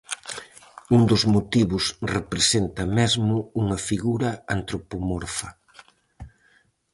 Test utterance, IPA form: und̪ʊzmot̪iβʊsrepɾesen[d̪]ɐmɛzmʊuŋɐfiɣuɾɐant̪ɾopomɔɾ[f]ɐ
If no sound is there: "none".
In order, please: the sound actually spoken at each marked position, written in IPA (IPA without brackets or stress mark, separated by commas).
t̪, f